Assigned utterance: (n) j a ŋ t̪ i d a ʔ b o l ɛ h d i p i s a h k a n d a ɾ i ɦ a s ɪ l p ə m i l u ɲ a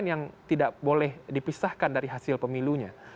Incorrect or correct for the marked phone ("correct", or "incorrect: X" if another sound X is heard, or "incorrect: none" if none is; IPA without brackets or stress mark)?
correct